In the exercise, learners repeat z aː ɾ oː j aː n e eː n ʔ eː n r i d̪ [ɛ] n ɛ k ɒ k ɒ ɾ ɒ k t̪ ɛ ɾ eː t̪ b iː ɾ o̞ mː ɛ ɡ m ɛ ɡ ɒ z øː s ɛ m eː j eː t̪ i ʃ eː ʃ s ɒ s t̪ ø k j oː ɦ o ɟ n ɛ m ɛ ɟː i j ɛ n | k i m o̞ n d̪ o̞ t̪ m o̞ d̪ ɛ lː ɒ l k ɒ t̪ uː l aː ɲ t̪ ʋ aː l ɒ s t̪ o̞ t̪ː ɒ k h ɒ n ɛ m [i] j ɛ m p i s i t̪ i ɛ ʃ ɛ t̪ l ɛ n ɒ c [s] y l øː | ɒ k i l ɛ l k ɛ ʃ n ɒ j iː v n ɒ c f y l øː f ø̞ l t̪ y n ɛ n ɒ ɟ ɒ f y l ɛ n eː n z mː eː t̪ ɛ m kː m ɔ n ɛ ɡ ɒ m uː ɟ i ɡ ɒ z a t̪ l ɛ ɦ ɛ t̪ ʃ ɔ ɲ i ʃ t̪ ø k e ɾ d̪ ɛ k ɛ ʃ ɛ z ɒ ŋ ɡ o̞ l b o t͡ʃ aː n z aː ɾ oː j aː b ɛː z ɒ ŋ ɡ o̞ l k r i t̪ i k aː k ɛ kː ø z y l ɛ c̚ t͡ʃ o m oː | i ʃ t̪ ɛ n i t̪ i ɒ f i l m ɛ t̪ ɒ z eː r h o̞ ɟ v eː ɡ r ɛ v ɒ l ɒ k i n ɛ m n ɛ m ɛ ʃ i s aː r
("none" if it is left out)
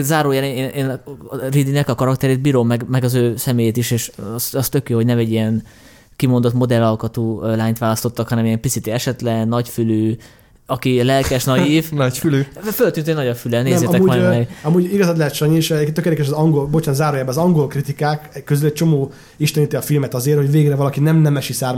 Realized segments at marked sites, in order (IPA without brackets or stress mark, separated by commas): i, i, f